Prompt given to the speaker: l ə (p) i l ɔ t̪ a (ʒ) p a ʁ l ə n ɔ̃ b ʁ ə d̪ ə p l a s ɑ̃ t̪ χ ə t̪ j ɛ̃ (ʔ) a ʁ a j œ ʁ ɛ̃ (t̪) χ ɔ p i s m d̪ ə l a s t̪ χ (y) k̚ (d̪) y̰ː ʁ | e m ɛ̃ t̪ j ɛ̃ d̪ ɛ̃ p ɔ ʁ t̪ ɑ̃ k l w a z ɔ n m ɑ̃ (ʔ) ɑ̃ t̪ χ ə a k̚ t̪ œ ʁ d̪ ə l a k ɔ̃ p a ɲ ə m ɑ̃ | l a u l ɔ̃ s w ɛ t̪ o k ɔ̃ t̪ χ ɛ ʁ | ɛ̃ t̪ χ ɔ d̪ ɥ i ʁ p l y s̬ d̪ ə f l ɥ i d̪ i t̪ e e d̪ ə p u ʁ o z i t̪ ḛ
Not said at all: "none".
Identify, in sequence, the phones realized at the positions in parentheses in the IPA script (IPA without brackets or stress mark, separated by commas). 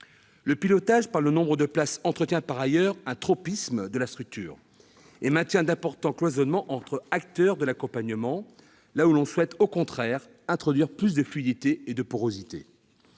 p, ʒ, p, t̪, y, t̪, ʔ